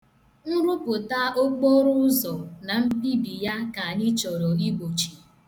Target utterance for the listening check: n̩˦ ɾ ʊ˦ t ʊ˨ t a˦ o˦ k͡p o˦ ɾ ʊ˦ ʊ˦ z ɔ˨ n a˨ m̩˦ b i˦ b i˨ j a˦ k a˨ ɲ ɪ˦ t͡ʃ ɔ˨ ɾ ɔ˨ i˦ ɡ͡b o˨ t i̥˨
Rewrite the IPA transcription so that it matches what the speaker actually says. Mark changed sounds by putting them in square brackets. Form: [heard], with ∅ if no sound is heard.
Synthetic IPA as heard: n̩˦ ɾ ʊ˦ [p] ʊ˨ t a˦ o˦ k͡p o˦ ɾ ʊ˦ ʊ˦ z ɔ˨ n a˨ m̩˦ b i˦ b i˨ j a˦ k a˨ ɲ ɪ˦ t͡ʃ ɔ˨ ɾ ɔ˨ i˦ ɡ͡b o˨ [t͡ʃ] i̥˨

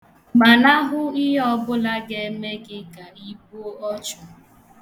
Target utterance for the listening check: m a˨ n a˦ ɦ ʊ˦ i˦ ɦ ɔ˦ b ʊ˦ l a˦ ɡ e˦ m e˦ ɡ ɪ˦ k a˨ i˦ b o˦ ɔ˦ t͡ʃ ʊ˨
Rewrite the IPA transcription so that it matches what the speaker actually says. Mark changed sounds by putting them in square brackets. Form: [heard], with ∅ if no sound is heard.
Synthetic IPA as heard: m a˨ n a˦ ɦ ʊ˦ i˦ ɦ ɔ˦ b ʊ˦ l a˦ ɡ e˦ m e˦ ɡ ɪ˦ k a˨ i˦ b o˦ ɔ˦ t͡ʃ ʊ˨

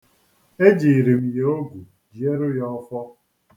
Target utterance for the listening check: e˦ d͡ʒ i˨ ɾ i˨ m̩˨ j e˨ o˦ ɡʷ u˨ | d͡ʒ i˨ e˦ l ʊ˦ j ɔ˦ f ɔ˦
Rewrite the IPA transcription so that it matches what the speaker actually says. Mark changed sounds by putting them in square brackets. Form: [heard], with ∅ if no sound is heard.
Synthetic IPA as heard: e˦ d͡ʒ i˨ ɾ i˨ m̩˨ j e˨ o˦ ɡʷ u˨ | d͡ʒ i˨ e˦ [ɾ] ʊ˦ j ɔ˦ f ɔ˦

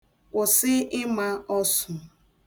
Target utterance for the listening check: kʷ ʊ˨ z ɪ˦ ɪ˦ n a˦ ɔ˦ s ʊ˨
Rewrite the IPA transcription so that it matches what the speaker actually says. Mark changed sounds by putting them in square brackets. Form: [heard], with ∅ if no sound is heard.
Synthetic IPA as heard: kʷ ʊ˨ [s] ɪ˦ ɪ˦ [m] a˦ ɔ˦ s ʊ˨

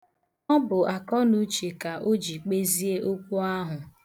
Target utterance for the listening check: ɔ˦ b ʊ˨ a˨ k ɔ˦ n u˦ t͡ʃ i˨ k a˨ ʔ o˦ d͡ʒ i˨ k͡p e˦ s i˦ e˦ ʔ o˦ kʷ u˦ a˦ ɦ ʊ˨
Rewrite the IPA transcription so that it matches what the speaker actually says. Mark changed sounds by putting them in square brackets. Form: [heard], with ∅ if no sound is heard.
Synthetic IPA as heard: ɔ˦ b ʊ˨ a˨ k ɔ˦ n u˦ t͡ʃ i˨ k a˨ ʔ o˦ d͡ʒ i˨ k͡p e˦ [z] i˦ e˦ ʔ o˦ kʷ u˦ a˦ ɦ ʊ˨

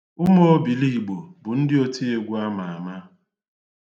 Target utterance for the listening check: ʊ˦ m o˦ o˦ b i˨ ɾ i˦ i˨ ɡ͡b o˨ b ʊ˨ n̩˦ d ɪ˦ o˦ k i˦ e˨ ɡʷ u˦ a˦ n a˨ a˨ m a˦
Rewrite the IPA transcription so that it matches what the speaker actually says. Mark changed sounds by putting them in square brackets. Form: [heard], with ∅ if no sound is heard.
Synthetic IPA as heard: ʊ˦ m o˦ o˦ b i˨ [l] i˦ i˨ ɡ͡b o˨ b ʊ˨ n̩˦ d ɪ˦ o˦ [t] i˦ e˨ ɡʷ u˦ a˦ [m] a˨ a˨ m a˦

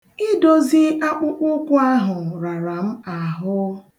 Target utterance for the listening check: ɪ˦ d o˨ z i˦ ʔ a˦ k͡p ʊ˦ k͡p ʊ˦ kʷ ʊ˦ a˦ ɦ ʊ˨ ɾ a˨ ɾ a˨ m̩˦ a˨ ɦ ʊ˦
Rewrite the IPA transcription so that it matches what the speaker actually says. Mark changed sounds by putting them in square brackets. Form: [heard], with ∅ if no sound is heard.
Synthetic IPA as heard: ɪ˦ d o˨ z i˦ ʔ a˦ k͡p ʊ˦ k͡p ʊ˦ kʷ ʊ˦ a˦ ɦ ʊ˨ ɾ a˨ ɾ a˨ m̩˦ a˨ ɦ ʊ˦

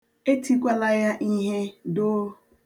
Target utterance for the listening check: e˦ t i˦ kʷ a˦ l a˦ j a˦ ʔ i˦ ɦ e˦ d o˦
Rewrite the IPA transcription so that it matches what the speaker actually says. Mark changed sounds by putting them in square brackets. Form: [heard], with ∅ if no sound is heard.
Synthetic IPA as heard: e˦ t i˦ kʷ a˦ l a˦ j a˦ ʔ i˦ ɦ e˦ d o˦

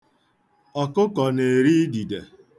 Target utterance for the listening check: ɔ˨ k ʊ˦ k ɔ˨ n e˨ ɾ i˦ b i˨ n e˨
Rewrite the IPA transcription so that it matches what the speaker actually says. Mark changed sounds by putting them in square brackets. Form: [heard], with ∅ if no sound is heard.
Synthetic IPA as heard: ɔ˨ k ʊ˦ k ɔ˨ n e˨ ɾ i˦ [d] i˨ [d] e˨

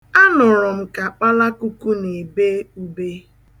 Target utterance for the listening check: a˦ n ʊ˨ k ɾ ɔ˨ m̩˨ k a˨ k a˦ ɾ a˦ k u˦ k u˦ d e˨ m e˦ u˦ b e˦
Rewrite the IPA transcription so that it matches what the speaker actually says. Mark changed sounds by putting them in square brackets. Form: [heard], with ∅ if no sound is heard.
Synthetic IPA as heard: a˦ n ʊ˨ [∅] ɾ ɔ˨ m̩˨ k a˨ [k͡p] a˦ [l] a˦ k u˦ k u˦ [n] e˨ [b] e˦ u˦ b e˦

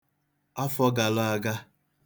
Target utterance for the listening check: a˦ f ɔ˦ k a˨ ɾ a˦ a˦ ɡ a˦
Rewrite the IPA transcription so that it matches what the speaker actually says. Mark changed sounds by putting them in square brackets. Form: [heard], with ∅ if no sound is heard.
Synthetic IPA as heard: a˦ f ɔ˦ [ɡ] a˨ [l] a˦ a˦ ɡ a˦

